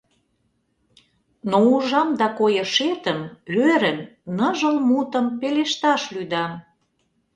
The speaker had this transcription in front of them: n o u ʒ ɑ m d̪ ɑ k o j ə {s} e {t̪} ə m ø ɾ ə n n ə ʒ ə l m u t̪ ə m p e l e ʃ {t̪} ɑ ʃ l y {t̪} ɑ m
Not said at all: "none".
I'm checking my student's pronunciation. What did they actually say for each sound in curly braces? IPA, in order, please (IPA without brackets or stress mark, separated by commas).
ʃ, t̪, t̪, d̪